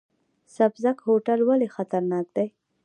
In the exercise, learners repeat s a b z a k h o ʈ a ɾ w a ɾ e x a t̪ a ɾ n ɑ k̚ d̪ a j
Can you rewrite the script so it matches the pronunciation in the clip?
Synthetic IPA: s a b z a k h o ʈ a l w a l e x a t̪ a ɾ n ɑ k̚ d̪ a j